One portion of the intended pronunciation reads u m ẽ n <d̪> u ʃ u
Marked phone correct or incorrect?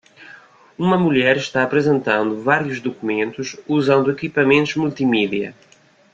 incorrect: t̪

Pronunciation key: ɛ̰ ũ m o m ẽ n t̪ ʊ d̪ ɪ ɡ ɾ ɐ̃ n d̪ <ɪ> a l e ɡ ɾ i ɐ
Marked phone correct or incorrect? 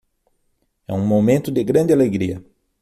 correct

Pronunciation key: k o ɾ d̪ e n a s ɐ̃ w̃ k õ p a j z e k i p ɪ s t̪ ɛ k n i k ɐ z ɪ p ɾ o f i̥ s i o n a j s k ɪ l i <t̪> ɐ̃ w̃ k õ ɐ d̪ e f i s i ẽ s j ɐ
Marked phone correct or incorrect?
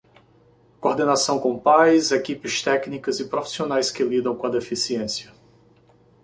incorrect: d̪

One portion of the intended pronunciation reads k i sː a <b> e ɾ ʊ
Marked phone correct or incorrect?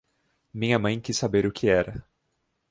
correct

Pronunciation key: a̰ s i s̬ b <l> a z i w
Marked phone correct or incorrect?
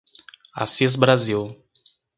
incorrect: ɾ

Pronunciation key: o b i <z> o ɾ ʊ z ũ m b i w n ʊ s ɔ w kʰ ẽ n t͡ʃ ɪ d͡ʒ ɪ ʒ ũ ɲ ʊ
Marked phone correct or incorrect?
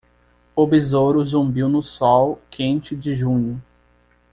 correct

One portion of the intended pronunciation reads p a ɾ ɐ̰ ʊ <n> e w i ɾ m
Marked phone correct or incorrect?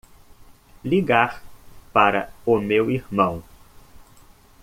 incorrect: m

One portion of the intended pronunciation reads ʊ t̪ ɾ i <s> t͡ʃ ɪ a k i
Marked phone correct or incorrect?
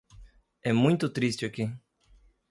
correct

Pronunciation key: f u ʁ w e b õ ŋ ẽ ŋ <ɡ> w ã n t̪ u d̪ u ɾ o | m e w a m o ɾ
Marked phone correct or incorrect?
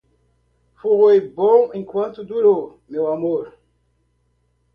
incorrect: k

